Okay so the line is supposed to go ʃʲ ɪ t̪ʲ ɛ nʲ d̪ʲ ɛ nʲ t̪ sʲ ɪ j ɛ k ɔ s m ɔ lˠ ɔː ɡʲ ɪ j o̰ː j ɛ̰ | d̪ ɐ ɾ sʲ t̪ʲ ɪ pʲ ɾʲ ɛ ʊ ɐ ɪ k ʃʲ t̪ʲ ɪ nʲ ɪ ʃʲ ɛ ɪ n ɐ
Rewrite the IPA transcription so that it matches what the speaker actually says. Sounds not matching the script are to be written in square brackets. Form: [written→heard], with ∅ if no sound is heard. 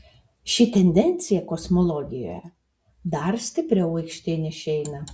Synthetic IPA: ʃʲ ɪ t̪ʲ ɛ nʲ d̪ʲ ɛ nʲ t̪ sʲ ɪ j ɛ k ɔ s m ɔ lˠ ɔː ɡʲ ɪ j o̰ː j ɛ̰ | d̪ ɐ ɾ sʲ t̪ʲ ɪ pʲ ɾʲ ɛ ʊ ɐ ɪ k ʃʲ t̪ʲ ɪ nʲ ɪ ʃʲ ɛ ɪ n ɐ